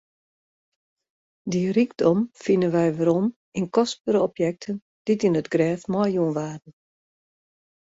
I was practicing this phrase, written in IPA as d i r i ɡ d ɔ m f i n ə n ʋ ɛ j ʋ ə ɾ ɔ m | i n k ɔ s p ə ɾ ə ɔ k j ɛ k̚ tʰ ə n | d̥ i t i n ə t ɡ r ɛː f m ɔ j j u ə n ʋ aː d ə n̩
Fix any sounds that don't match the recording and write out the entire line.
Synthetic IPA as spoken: d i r i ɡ d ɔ m f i n ə n ʋ ɛ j ʋ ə ɾ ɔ m | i n k ɔ s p ə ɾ ə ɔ p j ɛ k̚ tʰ ə n | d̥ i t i n ə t ɡ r ɛː f m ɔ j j u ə n ʋ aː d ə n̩